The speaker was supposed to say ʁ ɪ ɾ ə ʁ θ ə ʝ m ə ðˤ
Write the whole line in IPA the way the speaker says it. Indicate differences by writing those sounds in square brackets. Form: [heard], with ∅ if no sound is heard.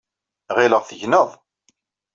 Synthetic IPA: ʁ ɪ [l] ə ʁ θ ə ʝ [n] ə ðˤ